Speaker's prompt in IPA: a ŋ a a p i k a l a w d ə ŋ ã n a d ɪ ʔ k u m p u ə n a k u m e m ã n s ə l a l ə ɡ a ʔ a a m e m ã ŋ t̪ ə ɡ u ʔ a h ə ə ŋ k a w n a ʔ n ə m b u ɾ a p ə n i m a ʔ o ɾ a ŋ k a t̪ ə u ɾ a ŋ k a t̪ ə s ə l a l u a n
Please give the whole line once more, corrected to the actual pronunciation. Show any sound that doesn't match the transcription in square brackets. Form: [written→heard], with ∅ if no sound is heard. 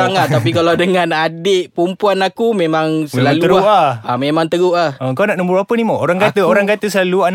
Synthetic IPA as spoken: a ŋ a a p i k a l a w d ə ŋ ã n a d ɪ ʔ [k→p] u m p u [ə→a] n a k u m e m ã [n→ŋ] s ə l a l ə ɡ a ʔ a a m e m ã ŋ t̪ ə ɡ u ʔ a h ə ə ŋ k a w n a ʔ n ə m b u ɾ a p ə n i m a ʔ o ɾ a ŋ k a t̪ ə [u→o] ɾ a ŋ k a t̪ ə s ə l a l u a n